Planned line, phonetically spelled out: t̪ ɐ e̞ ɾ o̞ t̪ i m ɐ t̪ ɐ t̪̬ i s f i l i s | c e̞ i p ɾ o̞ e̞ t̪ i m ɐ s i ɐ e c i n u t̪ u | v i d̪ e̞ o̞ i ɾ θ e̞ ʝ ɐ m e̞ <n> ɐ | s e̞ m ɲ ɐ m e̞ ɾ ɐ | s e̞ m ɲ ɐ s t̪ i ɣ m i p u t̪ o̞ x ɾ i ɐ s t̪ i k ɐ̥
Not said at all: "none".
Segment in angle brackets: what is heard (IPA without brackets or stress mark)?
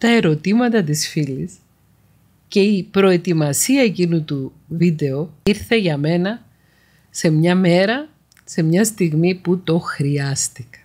n